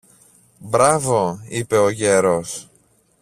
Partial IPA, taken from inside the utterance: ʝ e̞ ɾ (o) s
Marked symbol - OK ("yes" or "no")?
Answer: yes